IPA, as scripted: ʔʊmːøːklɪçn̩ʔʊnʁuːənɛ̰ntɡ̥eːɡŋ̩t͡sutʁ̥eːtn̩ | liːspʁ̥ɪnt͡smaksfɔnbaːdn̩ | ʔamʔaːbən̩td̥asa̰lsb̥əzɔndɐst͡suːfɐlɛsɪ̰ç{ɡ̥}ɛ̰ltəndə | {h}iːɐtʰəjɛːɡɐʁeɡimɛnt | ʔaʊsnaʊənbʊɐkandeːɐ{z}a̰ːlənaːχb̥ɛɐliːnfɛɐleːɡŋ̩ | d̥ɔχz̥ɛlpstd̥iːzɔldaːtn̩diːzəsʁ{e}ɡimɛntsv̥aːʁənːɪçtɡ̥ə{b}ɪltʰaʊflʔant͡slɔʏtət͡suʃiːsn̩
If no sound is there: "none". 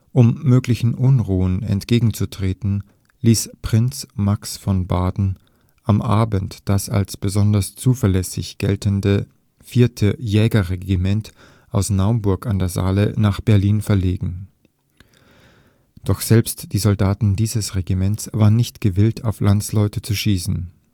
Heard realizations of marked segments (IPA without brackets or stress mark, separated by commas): ɡ̥, f, z, e, v